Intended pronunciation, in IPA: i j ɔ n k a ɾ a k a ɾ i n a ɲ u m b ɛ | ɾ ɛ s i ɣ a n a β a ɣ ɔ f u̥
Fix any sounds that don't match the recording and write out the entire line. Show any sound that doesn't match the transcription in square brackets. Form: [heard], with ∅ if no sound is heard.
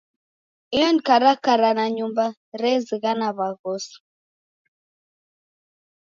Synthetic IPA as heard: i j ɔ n k a ɾ a k a ɾ [a] n a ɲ u m b [a] | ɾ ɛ [z] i ɣ a n a β a ɣ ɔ [s] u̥